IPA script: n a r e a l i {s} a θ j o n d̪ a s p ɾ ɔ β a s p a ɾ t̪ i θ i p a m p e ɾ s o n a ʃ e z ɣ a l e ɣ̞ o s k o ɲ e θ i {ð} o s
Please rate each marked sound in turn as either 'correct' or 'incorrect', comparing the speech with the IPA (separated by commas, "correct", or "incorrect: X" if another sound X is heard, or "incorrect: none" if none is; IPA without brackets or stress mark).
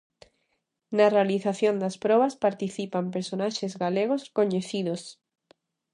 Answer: incorrect: θ, correct